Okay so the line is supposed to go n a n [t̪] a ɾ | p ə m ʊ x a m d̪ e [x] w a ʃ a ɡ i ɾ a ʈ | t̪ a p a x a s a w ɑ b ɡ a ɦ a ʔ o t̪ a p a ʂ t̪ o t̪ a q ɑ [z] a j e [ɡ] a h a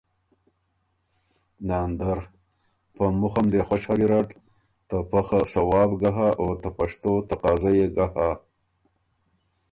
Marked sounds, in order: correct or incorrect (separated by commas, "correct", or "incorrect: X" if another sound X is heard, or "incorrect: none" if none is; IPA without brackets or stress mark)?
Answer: incorrect: d̪, correct, correct, correct